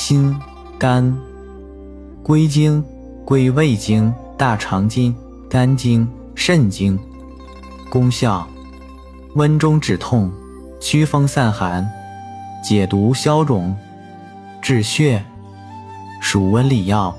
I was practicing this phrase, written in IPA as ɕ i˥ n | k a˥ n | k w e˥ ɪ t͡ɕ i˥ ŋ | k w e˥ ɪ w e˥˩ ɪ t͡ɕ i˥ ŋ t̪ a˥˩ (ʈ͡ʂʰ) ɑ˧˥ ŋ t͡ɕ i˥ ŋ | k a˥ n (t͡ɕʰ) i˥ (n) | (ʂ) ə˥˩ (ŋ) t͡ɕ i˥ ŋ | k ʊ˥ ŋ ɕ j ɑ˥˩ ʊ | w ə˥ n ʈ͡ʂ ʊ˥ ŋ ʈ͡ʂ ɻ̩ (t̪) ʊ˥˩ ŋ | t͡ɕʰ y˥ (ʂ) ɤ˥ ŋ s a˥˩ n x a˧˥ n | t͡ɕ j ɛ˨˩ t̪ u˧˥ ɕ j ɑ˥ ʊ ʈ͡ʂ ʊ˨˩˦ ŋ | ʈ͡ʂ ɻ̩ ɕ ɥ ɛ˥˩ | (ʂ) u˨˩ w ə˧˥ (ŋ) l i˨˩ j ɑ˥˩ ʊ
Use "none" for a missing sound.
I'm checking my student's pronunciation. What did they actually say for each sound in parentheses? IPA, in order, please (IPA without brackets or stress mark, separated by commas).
ʈ͡ʂʰ, t͡ɕ, ŋ, ʂ, n, t̪ʰ, f, ʂ, n